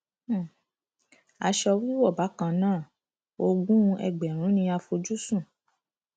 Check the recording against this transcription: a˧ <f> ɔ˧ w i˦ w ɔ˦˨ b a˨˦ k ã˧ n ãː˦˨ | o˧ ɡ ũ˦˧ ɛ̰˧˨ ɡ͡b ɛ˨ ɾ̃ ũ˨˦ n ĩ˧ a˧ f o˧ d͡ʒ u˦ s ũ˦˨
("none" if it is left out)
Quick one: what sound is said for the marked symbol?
ʃ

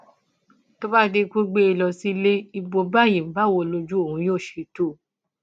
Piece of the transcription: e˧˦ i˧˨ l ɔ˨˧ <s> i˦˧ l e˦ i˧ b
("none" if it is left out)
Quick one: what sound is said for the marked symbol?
s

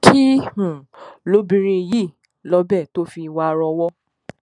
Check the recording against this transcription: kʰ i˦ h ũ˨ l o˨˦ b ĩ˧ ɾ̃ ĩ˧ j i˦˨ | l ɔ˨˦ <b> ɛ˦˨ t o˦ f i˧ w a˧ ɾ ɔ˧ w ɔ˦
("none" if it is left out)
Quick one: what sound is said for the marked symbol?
b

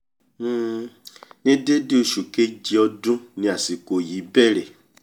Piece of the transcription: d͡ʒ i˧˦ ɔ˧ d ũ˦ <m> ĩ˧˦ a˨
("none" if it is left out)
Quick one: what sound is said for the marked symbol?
n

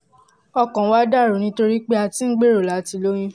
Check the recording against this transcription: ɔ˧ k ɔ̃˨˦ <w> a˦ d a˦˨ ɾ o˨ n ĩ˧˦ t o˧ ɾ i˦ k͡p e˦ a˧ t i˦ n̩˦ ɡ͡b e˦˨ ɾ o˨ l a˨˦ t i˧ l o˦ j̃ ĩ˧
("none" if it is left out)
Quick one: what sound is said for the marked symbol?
w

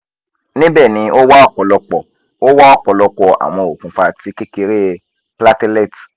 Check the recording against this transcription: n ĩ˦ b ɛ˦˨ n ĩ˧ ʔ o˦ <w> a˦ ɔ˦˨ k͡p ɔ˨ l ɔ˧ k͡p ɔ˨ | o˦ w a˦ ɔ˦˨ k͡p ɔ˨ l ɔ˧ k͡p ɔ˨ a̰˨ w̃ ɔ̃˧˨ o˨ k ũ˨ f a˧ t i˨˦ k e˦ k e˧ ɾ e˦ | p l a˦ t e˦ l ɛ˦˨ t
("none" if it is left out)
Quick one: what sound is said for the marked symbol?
w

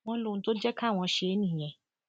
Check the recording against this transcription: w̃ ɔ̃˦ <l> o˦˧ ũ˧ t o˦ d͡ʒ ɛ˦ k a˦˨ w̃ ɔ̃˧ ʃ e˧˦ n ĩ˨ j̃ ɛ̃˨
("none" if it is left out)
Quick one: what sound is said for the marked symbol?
l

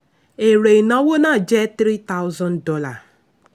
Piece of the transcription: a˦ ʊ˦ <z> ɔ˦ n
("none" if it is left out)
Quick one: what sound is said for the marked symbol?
z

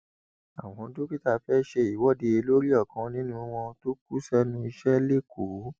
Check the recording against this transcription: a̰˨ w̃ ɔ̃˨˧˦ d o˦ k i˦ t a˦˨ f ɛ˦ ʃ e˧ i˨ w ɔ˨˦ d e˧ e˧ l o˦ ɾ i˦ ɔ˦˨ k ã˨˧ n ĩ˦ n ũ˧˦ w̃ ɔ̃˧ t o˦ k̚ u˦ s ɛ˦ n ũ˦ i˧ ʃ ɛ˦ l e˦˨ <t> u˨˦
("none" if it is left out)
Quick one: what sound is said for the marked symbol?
k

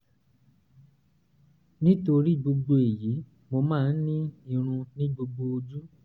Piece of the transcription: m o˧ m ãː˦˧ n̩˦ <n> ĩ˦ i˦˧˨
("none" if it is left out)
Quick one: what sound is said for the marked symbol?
n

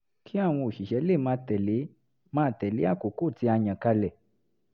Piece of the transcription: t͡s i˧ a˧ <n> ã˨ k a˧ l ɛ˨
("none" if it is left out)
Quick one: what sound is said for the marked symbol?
ɲ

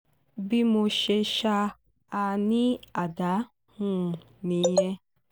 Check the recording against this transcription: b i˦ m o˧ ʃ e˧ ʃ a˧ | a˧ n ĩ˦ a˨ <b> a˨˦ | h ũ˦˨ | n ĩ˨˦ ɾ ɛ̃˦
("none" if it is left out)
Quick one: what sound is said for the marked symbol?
d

